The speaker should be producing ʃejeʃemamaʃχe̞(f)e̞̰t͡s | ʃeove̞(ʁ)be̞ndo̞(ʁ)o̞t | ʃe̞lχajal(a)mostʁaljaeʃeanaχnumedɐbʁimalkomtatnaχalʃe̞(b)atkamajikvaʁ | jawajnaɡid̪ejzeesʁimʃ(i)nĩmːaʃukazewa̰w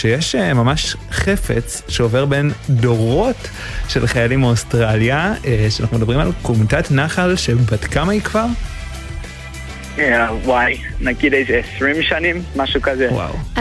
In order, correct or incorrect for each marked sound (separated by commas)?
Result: correct, correct, correct, incorrect, correct, incorrect